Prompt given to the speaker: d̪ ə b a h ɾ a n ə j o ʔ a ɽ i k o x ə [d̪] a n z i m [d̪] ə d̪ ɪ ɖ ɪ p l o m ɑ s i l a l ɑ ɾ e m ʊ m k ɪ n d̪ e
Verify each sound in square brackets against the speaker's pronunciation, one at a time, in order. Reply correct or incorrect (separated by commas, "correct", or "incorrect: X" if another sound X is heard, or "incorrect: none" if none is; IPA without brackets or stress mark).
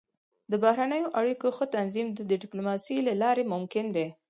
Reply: incorrect: t̪, correct